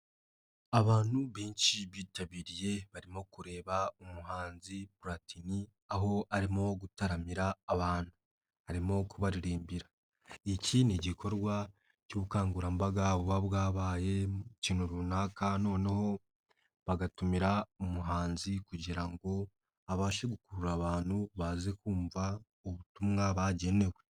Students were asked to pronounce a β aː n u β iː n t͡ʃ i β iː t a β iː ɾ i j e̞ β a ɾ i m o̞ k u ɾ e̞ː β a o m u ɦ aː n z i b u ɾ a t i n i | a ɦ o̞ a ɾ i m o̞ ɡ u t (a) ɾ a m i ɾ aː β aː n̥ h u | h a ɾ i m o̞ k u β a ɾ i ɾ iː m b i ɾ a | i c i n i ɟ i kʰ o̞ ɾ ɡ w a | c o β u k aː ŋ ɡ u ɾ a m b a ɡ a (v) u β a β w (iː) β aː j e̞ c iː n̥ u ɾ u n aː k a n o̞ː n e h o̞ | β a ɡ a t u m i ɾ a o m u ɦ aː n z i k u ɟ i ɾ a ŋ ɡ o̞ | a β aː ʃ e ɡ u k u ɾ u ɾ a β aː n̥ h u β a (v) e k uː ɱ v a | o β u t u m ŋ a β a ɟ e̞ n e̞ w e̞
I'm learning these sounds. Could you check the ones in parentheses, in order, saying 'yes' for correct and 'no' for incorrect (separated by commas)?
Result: yes, no, no, no